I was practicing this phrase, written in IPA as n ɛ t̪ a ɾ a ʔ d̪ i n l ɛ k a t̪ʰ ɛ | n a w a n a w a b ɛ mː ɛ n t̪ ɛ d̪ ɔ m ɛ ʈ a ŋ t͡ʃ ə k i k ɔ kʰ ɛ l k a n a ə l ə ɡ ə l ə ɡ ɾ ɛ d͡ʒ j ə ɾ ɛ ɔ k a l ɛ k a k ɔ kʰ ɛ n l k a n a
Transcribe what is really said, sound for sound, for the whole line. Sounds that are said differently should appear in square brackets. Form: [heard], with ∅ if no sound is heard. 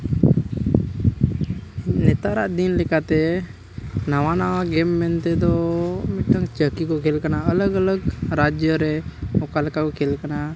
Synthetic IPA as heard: n ɛ t̪ a ɾ a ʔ d̪ i n l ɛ k a [t̪] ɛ | n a w a n a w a [ɡ] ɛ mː ɛ n t̪ ɛ d̪ ɔ m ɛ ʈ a ŋ t͡ʃ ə k i k ɔ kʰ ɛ l k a n a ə l ə ɡ ə l ə ɡ ɾ [a] d͡ʒ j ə ɾ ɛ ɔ k a l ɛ k a k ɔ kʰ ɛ [∅] l k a n a